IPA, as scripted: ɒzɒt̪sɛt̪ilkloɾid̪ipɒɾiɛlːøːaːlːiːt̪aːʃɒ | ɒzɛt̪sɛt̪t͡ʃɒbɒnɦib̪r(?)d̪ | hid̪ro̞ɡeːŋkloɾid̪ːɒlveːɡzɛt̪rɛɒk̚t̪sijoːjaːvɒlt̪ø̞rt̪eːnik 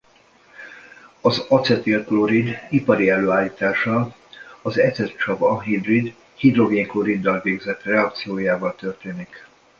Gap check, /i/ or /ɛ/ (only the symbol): i